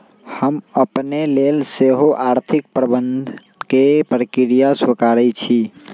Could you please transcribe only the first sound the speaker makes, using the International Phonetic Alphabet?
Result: h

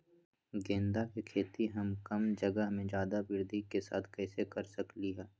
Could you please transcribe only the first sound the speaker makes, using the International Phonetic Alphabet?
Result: ɡ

